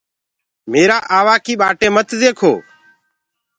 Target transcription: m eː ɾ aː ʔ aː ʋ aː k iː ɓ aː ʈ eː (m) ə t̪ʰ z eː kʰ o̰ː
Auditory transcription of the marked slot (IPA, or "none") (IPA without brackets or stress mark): m